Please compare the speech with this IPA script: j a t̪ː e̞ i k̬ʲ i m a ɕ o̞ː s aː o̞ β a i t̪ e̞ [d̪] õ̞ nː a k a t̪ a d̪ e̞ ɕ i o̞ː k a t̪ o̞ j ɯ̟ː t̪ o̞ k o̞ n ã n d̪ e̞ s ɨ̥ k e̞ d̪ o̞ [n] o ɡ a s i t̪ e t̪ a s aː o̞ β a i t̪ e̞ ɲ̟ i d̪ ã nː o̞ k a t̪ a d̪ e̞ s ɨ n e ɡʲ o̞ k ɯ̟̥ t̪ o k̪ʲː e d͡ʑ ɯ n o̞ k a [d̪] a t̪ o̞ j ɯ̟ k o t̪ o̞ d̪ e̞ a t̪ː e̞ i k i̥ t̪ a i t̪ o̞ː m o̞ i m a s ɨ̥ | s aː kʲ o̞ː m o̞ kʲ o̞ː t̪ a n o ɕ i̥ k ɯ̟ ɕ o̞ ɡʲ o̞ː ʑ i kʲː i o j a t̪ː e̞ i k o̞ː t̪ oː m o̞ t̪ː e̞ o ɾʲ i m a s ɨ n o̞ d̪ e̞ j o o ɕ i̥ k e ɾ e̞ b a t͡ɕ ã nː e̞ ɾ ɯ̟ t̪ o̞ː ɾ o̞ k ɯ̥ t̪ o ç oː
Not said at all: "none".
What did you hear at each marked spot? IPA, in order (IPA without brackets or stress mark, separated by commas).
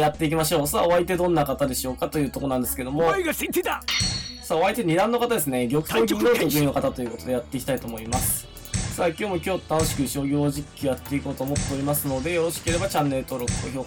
d̪, m, t̪